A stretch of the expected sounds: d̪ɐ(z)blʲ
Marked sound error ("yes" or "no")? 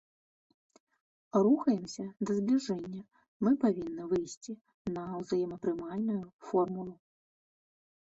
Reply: no